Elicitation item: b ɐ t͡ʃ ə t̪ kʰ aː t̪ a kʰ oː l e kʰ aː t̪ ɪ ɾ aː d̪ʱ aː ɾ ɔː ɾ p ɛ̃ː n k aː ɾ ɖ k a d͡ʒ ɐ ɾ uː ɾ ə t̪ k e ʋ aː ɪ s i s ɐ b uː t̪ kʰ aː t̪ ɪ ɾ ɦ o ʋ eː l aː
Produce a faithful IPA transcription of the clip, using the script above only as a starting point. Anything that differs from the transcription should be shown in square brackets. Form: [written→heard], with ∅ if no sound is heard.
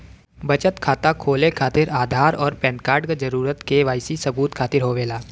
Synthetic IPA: b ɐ t͡ʃ ə t̪ kʰ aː t̪ a kʰ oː l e kʰ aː t̪ ɪ ɾ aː d̪ʱ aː ɾ ɔː ɾ p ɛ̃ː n k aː ɾ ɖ k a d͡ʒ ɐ ɾ uː ɾ ə t̪ k e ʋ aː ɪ s i s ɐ b uː t̪ kʰ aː t̪ ɪ ɾ ɦ o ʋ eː l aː